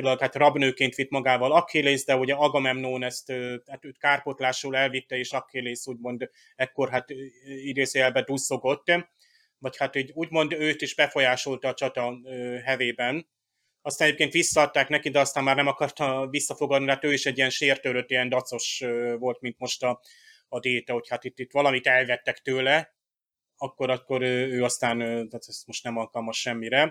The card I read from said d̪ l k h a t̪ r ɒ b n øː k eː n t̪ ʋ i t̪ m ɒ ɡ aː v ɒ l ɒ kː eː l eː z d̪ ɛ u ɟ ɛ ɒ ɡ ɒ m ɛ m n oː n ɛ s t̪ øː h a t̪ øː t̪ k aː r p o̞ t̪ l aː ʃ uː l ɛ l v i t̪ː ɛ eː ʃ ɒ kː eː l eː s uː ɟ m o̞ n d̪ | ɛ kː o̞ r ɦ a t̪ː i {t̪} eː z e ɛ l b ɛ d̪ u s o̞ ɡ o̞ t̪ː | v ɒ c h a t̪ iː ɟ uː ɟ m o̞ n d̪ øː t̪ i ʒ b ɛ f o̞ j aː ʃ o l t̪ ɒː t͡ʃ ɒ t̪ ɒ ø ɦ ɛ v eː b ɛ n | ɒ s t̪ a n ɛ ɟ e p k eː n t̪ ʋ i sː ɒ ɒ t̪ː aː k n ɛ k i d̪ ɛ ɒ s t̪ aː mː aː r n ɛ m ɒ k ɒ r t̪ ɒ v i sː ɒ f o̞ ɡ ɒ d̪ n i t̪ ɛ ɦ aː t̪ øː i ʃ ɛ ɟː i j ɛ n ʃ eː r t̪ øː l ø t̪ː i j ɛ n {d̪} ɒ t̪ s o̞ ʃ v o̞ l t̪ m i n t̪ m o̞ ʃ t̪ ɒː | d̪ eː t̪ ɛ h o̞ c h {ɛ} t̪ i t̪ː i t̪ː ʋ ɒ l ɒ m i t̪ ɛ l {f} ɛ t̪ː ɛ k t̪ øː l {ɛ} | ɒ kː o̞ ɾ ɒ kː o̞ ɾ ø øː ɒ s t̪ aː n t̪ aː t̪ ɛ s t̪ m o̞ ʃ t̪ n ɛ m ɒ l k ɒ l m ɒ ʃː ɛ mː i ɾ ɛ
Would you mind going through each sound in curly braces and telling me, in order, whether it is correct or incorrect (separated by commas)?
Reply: incorrect, correct, incorrect, incorrect, correct